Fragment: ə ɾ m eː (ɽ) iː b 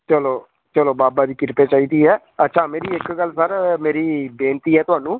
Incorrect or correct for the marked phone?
incorrect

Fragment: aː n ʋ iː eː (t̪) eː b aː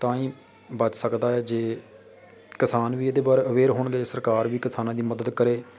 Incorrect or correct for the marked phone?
incorrect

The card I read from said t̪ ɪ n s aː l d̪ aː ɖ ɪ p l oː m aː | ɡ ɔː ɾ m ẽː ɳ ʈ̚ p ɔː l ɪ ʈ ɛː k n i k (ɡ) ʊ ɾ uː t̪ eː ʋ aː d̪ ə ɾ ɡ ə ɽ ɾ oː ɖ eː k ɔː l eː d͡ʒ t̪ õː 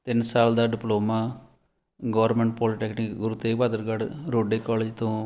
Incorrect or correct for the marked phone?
correct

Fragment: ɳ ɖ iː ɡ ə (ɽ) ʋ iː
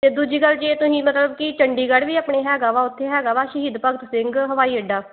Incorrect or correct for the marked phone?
correct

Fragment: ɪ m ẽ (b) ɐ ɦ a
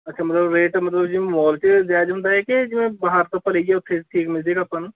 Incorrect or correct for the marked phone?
correct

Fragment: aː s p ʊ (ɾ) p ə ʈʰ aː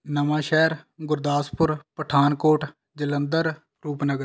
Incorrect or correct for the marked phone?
correct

